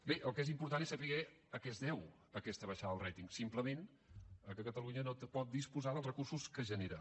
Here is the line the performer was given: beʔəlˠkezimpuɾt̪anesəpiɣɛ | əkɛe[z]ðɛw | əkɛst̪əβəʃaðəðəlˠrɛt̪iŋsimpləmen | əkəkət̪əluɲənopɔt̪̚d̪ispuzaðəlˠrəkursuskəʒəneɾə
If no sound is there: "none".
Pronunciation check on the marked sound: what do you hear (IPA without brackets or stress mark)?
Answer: z